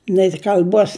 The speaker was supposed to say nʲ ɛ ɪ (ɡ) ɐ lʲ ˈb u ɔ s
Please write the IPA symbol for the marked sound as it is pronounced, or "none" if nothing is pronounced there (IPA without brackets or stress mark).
k